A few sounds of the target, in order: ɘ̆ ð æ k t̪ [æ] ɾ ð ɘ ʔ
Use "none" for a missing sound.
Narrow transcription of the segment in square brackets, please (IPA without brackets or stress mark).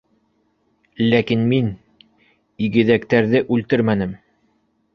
æ